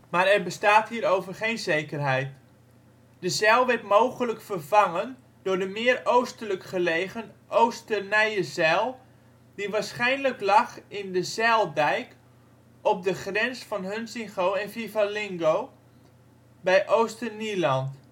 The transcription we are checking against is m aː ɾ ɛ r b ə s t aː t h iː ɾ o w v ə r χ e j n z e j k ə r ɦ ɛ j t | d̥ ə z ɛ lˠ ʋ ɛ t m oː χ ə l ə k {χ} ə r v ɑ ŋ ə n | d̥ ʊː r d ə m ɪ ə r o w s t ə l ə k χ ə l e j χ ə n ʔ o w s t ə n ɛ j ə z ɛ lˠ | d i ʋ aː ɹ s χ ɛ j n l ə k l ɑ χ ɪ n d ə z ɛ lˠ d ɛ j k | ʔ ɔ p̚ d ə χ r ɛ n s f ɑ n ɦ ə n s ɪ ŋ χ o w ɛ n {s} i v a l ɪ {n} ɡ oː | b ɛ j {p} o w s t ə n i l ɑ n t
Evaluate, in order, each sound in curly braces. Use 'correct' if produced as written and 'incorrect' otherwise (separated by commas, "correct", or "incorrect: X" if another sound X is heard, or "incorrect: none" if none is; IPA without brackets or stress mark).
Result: incorrect: f, incorrect: f, incorrect: ŋ, incorrect: ʔ